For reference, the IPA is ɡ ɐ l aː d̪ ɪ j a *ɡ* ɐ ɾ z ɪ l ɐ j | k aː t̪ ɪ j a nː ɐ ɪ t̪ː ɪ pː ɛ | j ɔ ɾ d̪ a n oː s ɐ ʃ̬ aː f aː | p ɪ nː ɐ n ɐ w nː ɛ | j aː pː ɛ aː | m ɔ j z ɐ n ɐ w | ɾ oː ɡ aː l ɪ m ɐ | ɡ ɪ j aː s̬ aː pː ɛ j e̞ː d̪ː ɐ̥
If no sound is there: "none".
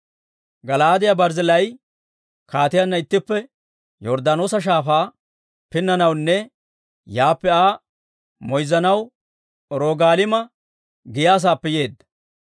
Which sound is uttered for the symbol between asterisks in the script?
b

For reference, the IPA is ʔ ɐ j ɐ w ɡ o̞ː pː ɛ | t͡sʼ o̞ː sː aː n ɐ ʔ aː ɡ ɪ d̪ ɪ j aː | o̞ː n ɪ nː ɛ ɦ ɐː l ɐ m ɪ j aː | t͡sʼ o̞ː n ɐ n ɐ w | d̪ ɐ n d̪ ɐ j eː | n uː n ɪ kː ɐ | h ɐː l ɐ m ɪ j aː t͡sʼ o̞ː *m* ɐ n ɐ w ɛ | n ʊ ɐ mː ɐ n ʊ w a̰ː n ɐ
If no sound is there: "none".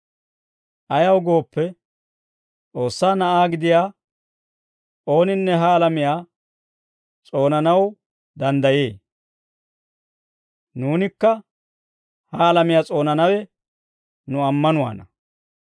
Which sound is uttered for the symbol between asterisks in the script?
n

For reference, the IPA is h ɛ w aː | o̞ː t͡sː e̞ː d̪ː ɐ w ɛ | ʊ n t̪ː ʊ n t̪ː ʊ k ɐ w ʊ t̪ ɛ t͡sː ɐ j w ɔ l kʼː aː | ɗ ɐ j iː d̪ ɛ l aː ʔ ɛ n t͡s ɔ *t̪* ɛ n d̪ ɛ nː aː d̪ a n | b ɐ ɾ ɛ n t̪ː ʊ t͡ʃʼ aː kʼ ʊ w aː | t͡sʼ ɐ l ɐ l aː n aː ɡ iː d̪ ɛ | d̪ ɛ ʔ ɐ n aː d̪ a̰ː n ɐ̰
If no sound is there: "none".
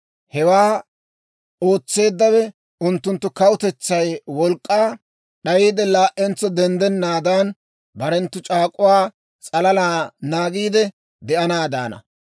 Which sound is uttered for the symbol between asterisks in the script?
d̪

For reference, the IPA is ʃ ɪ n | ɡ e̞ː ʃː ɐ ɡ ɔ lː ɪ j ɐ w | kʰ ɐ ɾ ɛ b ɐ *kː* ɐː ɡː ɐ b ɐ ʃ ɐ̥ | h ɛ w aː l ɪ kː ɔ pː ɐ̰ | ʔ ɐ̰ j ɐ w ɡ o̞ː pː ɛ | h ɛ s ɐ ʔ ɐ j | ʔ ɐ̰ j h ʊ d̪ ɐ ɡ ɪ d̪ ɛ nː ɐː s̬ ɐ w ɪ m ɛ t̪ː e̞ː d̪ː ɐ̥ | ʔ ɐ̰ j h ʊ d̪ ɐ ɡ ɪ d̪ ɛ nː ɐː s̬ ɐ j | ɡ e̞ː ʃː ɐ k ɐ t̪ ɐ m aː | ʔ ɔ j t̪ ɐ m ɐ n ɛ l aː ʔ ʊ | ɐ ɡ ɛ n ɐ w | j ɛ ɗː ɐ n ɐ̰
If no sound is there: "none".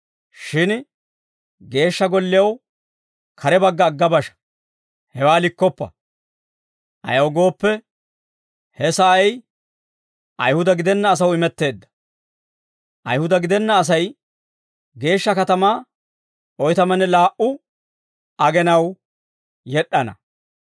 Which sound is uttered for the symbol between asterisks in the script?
ɡː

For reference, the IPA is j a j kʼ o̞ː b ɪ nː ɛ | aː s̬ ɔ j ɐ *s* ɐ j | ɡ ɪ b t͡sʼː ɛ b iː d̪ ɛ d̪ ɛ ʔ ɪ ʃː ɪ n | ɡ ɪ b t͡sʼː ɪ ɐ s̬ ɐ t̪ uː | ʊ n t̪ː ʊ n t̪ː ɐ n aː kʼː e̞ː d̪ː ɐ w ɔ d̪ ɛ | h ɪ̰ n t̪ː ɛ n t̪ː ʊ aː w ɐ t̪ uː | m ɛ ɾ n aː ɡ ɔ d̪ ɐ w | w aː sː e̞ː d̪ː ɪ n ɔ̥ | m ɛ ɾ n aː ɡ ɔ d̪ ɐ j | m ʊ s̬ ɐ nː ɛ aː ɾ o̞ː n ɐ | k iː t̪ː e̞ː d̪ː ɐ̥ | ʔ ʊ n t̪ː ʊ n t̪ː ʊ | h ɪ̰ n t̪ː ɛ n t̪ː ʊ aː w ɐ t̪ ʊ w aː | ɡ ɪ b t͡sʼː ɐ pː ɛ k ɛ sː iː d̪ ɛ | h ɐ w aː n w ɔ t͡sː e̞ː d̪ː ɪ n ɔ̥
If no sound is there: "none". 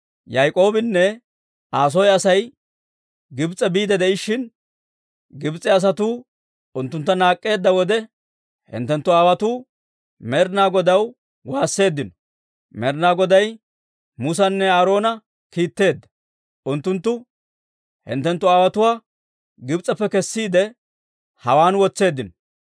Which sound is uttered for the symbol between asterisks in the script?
s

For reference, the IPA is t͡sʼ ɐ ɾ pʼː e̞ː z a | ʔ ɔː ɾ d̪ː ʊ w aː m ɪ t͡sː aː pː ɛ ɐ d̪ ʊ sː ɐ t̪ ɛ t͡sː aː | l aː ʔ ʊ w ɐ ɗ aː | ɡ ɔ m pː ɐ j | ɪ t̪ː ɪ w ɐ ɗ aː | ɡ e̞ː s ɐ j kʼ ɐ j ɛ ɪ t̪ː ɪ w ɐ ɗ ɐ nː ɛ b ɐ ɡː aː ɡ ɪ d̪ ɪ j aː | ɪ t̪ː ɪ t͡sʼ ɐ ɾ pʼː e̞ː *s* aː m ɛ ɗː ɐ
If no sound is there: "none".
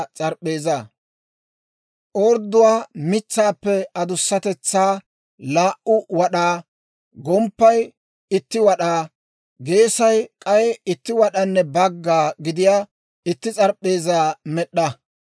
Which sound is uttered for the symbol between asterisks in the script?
z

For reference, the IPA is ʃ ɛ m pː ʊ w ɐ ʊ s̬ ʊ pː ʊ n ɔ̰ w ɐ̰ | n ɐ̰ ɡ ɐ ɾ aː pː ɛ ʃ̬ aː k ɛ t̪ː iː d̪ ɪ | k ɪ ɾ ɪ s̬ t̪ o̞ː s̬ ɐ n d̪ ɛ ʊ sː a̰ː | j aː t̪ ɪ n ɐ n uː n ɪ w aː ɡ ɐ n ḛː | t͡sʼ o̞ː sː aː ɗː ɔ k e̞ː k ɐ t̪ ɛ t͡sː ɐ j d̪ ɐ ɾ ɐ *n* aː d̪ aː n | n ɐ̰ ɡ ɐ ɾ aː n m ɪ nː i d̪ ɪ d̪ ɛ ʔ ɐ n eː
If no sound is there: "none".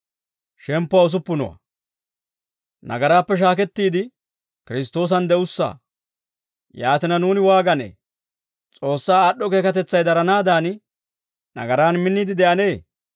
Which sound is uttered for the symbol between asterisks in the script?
n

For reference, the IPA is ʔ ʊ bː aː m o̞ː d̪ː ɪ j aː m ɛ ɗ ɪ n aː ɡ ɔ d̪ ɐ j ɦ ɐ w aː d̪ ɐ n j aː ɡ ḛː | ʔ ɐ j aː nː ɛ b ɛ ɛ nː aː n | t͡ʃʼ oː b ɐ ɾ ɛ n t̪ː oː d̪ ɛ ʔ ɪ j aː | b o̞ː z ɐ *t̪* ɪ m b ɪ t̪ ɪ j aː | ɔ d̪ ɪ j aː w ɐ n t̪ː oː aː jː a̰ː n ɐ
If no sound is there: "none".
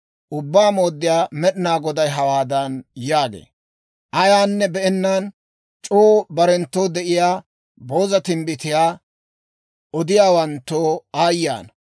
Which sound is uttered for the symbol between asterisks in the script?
t̪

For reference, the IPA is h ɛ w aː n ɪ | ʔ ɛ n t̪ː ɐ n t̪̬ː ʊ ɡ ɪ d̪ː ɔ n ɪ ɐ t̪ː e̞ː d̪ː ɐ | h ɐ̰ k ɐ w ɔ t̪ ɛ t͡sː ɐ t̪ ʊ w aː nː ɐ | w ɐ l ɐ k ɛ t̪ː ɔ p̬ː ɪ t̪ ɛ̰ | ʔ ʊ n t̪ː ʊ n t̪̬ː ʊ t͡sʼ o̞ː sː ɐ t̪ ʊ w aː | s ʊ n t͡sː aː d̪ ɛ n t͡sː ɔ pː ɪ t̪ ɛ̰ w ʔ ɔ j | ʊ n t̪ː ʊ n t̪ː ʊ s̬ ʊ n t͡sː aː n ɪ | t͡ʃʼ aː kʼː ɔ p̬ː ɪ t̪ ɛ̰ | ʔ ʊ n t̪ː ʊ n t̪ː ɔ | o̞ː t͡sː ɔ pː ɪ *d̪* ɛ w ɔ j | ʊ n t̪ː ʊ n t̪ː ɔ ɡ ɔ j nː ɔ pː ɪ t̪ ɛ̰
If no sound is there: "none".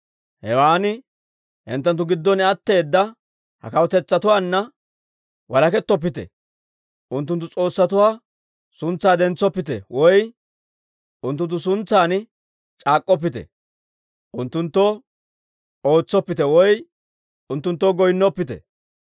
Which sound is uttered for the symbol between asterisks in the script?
t̪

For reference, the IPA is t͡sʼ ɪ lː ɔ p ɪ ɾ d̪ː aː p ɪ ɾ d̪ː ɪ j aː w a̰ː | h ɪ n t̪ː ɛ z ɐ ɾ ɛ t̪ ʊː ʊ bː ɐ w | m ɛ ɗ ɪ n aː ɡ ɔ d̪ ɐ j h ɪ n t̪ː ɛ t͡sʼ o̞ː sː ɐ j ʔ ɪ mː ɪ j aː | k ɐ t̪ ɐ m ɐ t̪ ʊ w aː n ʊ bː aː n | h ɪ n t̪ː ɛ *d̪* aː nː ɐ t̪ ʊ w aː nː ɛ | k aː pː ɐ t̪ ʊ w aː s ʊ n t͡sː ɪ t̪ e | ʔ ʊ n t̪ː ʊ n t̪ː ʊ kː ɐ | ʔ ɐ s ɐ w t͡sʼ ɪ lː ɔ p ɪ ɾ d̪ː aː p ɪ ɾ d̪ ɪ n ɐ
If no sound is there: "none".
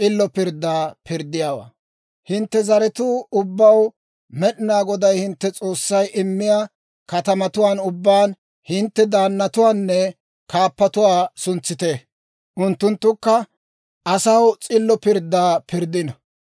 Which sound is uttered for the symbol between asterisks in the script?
d̪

